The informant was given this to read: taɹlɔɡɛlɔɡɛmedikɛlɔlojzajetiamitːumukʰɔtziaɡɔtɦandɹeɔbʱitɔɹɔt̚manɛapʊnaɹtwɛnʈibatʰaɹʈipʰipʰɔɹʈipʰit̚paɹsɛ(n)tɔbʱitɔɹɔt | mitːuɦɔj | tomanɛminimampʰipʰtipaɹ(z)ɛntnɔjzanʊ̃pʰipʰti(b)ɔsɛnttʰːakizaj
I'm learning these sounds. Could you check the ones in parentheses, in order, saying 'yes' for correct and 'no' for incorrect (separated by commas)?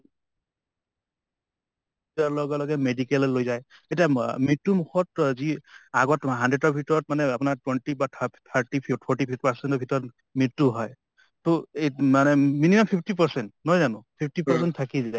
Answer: yes, no, no